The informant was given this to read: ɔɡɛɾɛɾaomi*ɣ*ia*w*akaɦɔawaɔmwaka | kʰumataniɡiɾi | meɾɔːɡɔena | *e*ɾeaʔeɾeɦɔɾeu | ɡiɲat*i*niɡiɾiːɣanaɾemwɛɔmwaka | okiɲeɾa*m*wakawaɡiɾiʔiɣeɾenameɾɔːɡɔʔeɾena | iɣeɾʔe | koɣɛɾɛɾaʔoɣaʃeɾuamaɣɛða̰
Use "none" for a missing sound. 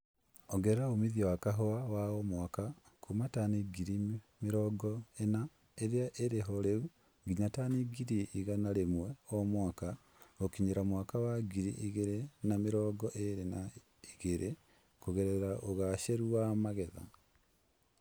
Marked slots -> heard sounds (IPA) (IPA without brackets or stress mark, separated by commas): ð, w, e, a, m